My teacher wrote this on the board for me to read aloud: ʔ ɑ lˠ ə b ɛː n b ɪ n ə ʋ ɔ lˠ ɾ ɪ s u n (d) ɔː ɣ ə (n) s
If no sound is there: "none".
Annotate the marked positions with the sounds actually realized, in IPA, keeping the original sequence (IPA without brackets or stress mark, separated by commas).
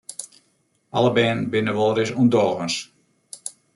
d, n